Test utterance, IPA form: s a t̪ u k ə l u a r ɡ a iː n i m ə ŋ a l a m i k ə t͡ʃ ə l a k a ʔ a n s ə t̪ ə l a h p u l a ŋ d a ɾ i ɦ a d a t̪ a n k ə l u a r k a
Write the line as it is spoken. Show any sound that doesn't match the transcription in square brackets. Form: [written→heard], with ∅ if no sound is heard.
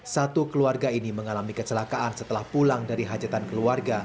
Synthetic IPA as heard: s a t̪ u k ə l u a r ɡ a [iː→i] n i m ə ŋ a l a m i k ə t͡ʃ ə l a k a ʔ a n s ə t̪ ə l a h p u l a ŋ d a ɾ i ɦ a [d→d͡ʒ] a t̪ a n k ə l u a r [k→ɡ] a